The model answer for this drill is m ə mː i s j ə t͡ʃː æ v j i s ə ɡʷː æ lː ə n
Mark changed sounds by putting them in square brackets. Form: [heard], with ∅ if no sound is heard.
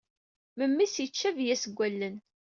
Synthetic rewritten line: m ə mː i s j ə t͡ʃː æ v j [æ] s ə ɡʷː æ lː ə n